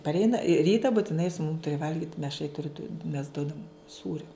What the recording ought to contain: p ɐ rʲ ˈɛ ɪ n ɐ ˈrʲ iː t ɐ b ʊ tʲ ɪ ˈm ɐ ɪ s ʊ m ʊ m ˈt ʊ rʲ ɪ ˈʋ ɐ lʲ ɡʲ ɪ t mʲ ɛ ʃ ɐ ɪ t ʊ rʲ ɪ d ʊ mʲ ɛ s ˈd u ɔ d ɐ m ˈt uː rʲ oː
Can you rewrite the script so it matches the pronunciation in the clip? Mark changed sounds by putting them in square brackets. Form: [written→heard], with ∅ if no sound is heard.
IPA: p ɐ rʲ ˈɛ ɪ n ɐ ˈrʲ iː t ɐ b ʊ tʲ ɪ [ˈm→ˈn] ɐ ɪ s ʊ m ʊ m ˈt ʊ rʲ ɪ ˈʋ ɐ lʲ ɡʲ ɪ t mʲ ɛ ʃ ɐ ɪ t ʊ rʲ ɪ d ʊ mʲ ɛ s ˈd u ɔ d ɐ m [ˈt→ˈs] uː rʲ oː